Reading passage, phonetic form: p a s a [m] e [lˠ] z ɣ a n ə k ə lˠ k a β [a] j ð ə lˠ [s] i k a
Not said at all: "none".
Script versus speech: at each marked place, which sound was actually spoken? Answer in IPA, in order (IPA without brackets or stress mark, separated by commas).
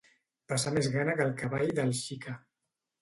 m, none, a, ʃ